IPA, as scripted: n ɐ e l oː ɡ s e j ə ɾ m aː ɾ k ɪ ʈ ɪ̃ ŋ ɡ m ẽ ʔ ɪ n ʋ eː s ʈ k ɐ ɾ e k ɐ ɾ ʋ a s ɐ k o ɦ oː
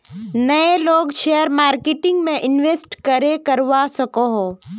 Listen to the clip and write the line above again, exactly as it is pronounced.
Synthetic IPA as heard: n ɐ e l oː ɡ ʃ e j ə ɾ m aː ɾ k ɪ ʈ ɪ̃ ŋ ɡ m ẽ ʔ ɪ n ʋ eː s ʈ k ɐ ɾ e k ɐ ɾ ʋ a s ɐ k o ɦ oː